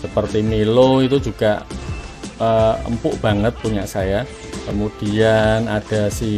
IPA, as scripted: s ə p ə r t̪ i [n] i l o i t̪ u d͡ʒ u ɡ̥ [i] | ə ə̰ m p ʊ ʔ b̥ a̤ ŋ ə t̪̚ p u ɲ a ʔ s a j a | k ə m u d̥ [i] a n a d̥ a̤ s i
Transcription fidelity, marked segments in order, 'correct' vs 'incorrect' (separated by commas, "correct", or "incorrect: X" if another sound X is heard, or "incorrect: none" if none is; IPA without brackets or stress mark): incorrect: m, incorrect: a, correct